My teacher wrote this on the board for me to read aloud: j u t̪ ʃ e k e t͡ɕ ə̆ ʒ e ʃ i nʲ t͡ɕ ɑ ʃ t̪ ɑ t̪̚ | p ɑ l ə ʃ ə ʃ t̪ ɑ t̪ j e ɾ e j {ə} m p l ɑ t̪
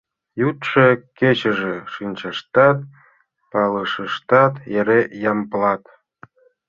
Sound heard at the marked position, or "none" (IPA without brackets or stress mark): ɑ